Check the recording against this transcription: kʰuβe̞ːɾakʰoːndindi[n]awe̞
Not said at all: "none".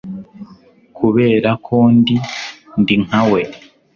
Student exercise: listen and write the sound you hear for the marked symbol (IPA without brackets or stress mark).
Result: ŋ